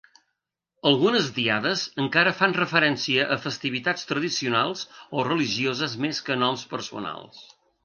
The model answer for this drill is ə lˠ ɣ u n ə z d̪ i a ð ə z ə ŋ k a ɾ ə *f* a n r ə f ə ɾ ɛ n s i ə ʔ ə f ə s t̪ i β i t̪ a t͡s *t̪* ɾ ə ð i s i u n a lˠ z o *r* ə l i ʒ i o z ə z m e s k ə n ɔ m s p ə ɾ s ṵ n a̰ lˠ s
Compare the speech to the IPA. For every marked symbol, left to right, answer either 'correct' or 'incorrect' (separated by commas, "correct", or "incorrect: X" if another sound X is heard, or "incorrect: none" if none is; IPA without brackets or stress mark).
correct, correct, correct